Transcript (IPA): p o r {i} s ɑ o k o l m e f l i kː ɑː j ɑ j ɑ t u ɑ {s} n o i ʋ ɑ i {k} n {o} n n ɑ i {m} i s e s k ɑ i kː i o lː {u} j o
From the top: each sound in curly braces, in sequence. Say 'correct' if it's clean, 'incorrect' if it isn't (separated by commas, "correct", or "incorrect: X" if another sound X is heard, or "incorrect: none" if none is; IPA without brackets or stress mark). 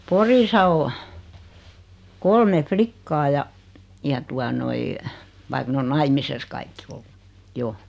correct, incorrect: none, correct, correct, correct, correct